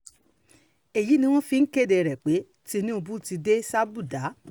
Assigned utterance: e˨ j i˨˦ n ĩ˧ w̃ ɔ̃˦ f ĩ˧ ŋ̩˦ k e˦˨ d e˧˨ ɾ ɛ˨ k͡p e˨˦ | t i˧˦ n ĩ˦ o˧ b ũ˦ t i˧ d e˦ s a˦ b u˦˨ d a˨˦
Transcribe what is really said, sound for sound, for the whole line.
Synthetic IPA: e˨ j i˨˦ n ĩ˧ w̃ ɔ̃˦ f i˧ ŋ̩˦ k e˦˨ d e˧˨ ɾ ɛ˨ k͡p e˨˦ | t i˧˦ n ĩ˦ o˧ b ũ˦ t i˧ d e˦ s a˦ b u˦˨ d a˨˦